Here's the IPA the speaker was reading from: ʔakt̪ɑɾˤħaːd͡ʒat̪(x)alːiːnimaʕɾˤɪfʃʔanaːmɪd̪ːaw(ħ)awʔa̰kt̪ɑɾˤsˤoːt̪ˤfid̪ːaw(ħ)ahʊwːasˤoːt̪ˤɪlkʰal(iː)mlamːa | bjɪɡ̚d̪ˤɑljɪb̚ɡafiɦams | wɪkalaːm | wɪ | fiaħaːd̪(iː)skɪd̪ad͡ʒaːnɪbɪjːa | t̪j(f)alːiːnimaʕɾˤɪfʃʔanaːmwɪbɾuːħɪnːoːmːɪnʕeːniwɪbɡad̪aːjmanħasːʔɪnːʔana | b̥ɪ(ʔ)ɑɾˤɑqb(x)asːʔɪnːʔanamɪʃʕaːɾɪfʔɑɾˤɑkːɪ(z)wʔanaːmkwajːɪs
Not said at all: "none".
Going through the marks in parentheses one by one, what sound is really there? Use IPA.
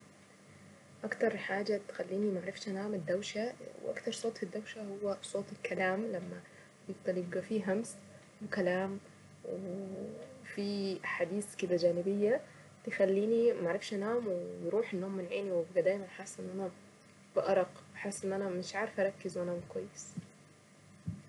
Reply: x, ʃ, ʃ, aː, iː, x, ʔ, ħ, z

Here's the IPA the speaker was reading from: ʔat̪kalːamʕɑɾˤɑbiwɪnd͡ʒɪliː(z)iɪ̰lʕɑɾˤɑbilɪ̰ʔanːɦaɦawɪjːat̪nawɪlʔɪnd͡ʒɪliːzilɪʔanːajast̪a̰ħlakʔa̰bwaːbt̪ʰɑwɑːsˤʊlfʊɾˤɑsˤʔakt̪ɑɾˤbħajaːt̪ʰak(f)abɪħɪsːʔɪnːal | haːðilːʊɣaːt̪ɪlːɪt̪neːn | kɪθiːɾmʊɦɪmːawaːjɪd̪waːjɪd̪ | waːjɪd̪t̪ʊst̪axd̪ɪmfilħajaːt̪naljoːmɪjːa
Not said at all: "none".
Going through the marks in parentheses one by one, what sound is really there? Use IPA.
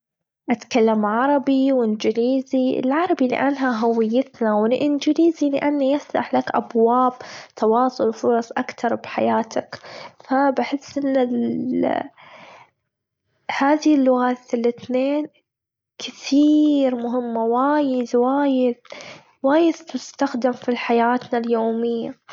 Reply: z, f

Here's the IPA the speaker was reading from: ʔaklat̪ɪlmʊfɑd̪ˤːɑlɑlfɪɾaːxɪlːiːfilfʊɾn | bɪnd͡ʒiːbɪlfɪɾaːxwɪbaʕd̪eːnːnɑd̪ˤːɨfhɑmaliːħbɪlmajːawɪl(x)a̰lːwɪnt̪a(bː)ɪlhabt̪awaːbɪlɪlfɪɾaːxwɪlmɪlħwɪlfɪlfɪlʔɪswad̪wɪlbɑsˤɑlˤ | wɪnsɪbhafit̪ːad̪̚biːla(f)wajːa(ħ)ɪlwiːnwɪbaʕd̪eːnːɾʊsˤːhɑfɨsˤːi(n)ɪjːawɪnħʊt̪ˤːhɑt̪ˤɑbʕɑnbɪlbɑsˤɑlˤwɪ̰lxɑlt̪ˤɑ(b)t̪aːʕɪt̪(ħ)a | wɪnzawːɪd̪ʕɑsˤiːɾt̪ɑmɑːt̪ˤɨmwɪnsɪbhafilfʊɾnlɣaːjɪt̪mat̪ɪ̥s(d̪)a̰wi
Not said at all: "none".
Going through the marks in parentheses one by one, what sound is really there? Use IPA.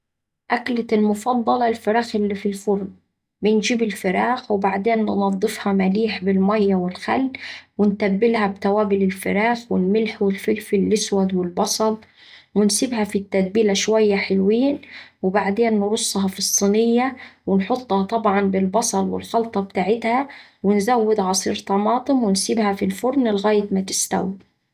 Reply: x, bː, ʃ, ħ, n, b, h, t̪

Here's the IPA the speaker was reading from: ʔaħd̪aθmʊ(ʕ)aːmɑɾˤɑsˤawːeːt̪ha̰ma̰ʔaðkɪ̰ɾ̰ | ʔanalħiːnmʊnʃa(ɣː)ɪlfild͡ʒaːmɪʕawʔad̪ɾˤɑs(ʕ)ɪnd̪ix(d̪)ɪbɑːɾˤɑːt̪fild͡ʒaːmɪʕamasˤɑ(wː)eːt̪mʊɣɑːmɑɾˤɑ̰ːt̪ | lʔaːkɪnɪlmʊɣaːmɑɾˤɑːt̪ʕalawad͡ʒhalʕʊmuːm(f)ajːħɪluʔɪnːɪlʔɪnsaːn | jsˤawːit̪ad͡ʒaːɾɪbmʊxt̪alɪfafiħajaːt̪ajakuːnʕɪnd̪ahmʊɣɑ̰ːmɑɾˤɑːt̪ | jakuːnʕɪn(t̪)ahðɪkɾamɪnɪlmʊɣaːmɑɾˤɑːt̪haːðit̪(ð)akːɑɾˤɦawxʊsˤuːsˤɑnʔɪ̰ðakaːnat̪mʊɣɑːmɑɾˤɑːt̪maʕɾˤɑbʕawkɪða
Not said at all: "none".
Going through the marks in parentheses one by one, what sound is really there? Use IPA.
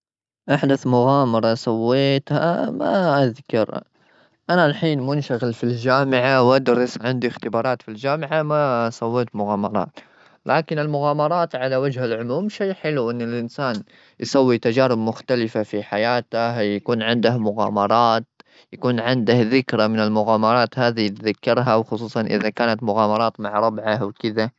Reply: ɣ, ɣ, ʕ, t̪, wː, ʃ, d̪, ð

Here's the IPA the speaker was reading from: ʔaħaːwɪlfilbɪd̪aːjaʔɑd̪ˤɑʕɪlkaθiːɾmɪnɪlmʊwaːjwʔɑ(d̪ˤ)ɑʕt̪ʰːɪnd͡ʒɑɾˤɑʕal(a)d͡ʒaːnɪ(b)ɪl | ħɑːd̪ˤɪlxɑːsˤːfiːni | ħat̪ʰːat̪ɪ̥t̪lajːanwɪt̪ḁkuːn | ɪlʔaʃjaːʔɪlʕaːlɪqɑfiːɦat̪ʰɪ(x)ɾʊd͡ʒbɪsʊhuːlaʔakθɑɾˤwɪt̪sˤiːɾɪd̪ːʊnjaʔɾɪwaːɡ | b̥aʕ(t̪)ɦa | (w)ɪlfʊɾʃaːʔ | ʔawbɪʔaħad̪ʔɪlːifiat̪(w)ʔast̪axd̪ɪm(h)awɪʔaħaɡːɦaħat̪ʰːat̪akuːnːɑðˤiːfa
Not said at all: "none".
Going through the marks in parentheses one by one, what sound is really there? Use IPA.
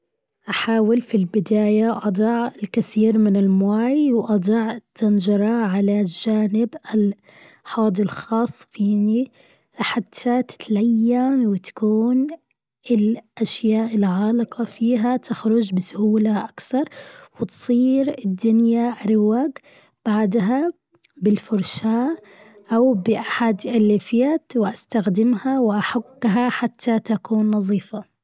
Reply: d̪ˤ, a, b, x, d̪, b, w, h

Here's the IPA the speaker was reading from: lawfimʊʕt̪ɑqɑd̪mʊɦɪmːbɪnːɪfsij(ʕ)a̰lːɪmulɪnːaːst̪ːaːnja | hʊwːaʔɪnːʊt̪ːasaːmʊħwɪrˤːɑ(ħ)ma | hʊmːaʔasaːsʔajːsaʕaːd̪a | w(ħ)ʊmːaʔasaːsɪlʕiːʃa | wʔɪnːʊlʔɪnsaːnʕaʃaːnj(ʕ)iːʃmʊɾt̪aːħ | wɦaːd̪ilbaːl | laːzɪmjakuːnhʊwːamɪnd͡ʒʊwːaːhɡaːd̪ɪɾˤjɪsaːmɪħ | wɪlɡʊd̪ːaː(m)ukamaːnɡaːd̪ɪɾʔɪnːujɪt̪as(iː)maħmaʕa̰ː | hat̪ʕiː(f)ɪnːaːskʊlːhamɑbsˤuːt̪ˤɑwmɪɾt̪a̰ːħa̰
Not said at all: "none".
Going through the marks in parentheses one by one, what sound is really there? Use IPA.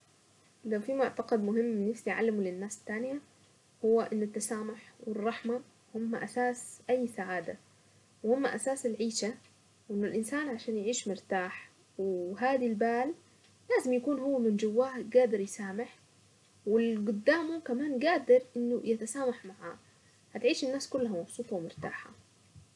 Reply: ʕ, ħ, h, ʕ, m, aː, ʃ

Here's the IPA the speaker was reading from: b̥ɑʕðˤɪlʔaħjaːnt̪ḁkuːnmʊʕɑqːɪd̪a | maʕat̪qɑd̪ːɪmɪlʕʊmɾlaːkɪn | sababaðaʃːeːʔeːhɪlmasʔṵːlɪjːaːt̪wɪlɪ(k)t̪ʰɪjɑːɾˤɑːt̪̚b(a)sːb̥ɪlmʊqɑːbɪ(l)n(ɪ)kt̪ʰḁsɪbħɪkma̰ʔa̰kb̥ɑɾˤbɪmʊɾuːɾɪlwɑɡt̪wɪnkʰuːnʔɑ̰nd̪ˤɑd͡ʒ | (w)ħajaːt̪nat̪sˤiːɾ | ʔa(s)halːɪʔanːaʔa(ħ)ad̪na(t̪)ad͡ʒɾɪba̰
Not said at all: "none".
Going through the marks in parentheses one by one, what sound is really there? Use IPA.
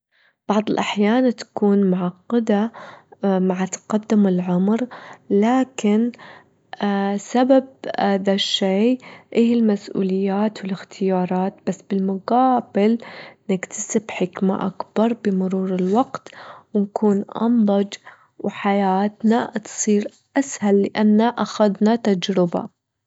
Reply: x, a, l, ɪ, w, s, x, t̪

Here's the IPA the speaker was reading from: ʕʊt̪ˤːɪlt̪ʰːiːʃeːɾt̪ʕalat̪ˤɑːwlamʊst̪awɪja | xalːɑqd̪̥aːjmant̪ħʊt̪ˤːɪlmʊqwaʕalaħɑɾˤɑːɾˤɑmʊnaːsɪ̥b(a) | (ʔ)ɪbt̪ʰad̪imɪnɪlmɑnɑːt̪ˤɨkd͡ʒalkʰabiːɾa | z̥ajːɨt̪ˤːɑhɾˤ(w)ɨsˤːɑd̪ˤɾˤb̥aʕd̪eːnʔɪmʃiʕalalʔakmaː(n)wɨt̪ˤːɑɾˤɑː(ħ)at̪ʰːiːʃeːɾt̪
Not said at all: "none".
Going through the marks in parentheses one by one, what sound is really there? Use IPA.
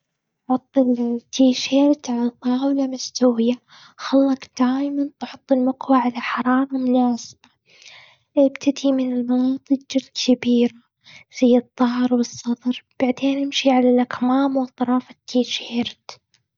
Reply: a, ʔ, w, m, f

